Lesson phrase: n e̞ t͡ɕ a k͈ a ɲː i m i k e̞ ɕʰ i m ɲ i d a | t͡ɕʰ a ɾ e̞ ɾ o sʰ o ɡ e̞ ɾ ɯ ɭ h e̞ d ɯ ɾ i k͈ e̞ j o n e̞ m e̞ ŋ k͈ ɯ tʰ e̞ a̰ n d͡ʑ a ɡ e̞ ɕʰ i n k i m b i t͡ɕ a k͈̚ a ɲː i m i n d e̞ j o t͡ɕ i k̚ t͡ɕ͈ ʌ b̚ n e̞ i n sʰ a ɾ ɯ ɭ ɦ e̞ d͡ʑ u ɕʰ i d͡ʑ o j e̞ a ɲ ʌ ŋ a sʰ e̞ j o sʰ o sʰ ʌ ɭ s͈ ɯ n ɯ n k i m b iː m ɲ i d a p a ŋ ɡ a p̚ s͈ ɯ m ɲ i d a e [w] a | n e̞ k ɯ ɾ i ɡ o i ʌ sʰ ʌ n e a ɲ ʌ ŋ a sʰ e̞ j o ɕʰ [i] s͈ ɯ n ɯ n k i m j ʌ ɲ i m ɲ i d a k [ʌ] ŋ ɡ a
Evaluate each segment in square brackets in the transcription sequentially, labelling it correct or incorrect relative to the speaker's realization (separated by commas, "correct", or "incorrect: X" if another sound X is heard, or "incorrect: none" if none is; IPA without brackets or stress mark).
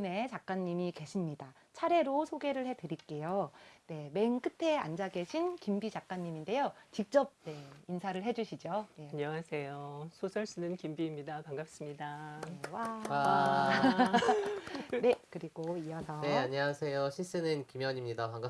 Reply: correct, correct, incorrect: a